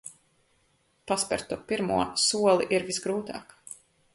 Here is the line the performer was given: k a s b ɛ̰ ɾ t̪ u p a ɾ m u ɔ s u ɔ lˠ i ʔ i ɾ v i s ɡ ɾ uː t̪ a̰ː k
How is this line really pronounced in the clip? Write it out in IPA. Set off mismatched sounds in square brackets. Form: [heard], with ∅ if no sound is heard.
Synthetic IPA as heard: [p] a s [p] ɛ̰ ɾ t̪ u p [i] ɾ m u ɔ s u ɔ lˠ i ʔ i ɾ v i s ɡ ɾ uː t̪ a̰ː k